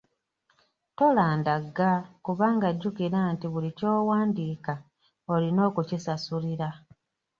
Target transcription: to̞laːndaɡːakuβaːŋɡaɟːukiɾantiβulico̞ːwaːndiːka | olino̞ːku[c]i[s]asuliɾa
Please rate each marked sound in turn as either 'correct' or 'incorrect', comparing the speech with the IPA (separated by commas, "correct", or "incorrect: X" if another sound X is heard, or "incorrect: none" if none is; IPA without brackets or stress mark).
correct, correct